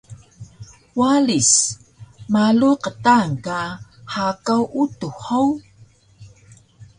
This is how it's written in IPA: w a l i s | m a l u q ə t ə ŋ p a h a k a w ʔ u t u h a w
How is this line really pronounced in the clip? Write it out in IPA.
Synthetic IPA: w a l i s | m a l u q ə t a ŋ k a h a k a w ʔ u t u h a w